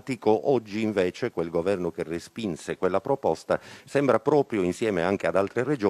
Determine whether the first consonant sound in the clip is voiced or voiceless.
voiceless